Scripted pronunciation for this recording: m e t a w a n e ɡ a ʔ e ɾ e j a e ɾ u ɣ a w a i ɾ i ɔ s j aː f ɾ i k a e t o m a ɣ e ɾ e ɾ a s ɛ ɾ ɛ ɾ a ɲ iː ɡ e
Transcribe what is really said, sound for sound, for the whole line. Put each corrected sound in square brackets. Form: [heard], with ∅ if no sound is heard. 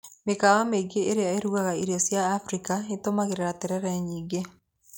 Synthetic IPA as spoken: m e [k] a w a [m] e ɡ [e] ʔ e ɾ e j a e ɾ u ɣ a [ɣ] a i ɾ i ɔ s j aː f ɾ i k a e t o m a ɣ e ɾ e ɾ a [t] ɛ ɾ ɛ ɾ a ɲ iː ɡ e